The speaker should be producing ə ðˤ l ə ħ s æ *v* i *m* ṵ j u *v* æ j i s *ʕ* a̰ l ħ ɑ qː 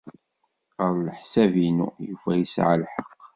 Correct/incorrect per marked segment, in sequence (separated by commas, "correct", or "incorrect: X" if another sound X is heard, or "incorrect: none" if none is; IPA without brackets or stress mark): correct, incorrect: n, incorrect: f, correct